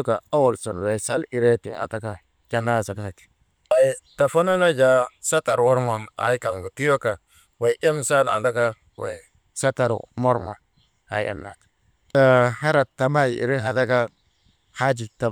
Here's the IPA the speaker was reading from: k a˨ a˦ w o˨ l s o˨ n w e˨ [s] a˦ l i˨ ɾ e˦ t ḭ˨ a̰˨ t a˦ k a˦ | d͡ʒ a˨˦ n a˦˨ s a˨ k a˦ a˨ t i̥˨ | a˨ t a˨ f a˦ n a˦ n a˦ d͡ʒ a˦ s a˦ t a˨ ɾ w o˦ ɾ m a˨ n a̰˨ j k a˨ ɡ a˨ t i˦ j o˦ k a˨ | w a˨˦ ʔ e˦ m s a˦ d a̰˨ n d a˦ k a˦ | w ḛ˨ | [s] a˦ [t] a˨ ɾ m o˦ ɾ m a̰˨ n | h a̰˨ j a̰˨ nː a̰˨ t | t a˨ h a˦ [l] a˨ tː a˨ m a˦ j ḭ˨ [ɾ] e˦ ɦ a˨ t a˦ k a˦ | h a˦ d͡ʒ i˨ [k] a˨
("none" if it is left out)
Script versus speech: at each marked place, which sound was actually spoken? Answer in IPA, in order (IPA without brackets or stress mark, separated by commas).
s, s, t, ɾ, ɾ, t